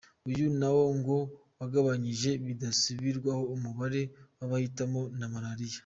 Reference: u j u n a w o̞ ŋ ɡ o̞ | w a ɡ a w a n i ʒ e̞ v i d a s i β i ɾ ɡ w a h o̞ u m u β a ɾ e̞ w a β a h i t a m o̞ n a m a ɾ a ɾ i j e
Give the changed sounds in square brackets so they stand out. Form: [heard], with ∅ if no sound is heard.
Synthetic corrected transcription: u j u n a w o̞ ŋ ɡ o̞ | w a ɡ a [β] a [ɲ] i ʒ e̞ [β] i d a s i β i ɾ ɡ w a h o̞ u m u β a ɾ e̞ w a β a h i t a m o̞ n a m a ɾ a ɾ i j [a]